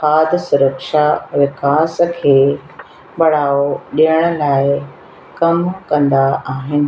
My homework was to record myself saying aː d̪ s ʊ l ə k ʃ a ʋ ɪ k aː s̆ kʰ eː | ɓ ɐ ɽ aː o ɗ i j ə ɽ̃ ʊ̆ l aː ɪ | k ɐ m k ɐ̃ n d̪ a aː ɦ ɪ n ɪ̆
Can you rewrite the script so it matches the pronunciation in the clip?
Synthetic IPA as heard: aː d̪ s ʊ ɾ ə k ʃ a ʋ ɪ k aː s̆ kʰ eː | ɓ ɐ ɽ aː o ɗ i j ə ɽ̃ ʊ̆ l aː ɪ | k ɐ m k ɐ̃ n d̪ a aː ɦ ɪ n ɪ̆